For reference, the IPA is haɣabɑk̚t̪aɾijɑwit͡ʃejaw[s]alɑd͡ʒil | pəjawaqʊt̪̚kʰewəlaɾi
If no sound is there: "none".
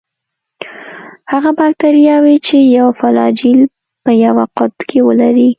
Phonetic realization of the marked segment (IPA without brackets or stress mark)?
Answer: f